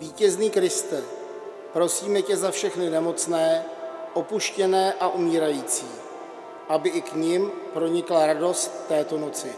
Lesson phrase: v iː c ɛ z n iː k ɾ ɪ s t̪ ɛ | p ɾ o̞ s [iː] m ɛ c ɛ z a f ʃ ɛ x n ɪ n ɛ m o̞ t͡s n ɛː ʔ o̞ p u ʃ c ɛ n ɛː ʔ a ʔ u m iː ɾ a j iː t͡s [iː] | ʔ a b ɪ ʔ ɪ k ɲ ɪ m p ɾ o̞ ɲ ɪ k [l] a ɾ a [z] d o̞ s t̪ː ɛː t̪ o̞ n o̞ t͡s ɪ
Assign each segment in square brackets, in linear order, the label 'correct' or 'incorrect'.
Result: correct, correct, correct, incorrect: none

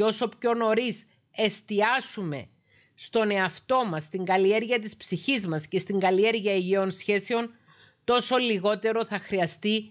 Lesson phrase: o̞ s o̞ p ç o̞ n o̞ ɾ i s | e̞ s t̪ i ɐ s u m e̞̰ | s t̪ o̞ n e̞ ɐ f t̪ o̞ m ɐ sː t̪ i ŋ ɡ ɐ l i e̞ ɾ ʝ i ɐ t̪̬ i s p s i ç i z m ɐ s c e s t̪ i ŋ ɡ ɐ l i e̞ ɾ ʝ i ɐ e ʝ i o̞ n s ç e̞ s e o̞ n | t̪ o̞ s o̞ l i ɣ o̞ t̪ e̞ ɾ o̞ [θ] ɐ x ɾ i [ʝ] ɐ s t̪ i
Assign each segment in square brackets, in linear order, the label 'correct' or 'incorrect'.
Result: correct, incorrect: none

